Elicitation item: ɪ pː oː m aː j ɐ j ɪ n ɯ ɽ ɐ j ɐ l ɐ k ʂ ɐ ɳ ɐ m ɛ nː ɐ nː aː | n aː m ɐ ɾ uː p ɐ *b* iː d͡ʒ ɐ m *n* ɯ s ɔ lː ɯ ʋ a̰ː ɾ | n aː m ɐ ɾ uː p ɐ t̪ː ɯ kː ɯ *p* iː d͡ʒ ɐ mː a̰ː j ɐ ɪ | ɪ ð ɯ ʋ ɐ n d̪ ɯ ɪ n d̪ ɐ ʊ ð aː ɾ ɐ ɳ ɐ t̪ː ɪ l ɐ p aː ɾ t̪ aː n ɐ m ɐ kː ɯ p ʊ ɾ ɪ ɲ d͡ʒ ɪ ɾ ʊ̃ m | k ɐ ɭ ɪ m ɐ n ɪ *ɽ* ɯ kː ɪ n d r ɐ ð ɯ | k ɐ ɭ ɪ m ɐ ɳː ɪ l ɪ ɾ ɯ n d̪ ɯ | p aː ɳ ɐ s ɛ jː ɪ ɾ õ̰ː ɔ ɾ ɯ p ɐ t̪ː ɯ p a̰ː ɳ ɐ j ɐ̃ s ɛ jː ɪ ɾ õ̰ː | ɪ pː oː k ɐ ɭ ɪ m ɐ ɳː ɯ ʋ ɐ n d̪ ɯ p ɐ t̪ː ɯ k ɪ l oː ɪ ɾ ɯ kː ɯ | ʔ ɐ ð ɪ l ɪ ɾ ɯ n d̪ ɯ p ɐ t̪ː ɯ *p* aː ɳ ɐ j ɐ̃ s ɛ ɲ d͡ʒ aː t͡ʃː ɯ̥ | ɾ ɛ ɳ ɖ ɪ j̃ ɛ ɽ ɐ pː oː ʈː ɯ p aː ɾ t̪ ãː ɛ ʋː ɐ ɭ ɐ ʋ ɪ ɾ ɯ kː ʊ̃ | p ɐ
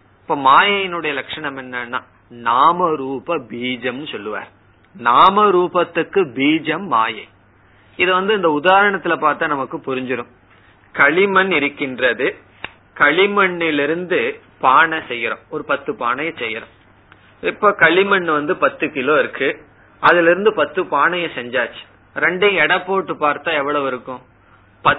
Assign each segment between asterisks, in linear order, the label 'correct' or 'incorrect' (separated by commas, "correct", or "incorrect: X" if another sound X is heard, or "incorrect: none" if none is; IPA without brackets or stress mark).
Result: correct, correct, incorrect: b, incorrect: ɾ, correct